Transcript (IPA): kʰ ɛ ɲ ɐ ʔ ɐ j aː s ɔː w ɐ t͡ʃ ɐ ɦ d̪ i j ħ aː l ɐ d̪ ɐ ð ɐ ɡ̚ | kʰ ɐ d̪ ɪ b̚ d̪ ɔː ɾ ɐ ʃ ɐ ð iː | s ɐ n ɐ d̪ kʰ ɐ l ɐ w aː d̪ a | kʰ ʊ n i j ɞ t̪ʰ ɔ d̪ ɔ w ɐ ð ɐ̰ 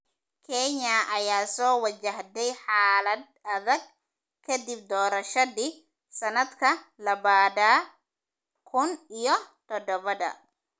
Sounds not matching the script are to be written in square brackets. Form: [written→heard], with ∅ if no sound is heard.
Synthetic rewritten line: kʰ ɛ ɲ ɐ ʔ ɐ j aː s ɔː w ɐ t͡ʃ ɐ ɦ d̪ [i→ɛ] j ħ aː l ɐ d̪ ɐ ð ɐ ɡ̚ | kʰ ɐ d̪ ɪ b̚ d̪ ɔː ɾ ɐ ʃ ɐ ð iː | s ɐ n ɐ d̪ kʰ ɐ l ɐ [w→β] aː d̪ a | kʰ ʊ n i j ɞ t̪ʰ ɔ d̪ ɔ [w→β] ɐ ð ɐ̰